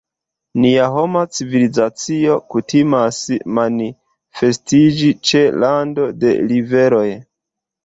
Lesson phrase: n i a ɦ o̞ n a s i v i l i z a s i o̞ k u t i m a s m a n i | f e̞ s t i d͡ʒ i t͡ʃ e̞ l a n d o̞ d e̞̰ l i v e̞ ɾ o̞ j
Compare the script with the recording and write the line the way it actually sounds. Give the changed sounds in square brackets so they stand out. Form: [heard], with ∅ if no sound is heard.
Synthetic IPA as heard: n i a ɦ o̞ [m] a [t͡s] i v i l i z a [t͡s] i o̞ k u t i m a s m a n i | f e̞ s t i d͡ʒ i t͡ʃ e̞ l a n d o̞ d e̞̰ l i v e̞ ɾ o̞ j